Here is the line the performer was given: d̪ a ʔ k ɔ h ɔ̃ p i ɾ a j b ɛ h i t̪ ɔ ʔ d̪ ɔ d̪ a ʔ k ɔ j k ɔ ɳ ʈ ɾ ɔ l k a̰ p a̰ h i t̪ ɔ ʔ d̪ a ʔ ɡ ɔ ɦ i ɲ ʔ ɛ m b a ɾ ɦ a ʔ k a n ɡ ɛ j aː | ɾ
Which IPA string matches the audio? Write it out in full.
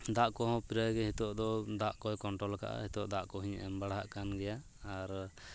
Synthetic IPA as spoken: d̪ a ʔ k ɔ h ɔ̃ p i ɾ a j ɡ ɛ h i t̪ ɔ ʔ d̪ ɔ d̪ a ʔ k ɔ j k ɔ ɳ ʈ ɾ ɔ l k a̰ ʔ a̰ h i t̪ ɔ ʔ d̪ a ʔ k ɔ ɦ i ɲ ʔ ɛ m b a ɽ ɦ a ʔ k a n ɡ ɛ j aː | ɾ